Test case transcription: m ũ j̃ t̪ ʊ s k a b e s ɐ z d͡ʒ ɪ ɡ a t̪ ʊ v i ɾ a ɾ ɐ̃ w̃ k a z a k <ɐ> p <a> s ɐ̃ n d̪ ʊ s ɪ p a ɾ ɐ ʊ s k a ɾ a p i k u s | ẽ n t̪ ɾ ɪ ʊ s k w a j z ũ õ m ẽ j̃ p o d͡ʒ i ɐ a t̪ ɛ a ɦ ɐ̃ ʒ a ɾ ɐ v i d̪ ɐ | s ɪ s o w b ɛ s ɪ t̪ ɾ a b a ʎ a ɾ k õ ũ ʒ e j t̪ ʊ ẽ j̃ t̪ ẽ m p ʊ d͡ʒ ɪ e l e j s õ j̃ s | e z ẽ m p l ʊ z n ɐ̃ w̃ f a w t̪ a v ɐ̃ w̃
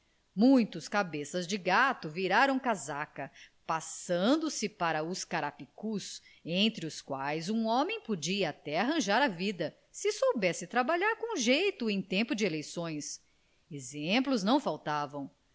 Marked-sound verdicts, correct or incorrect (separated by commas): correct, correct